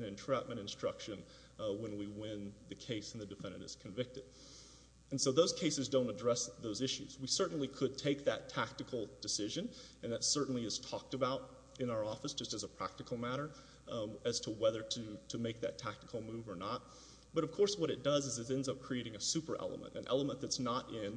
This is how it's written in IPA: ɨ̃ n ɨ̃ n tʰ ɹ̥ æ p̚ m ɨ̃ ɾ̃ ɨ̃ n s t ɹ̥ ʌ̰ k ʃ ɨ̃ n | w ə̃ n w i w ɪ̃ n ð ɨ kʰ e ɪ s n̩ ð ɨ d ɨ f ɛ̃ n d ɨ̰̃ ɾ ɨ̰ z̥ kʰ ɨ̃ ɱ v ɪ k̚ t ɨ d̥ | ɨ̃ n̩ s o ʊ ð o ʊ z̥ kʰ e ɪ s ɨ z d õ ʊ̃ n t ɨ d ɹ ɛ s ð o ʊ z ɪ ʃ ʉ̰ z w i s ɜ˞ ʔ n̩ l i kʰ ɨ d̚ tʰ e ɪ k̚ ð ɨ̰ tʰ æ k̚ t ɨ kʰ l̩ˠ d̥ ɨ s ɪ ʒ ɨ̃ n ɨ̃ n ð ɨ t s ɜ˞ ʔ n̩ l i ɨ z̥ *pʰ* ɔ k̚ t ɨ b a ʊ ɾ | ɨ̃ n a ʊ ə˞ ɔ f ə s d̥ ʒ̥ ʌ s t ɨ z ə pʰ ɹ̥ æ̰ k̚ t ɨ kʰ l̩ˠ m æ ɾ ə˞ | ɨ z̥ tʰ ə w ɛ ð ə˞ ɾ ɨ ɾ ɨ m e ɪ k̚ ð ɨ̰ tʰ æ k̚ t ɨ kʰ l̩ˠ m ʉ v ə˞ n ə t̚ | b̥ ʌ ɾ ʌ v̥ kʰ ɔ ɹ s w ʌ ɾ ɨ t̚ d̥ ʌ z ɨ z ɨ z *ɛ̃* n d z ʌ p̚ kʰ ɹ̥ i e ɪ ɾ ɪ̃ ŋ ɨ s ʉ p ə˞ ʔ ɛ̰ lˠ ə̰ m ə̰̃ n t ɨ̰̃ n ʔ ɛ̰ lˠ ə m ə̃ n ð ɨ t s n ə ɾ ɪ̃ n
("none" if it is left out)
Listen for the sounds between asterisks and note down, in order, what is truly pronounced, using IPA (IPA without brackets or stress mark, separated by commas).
tʰ, ɛ̃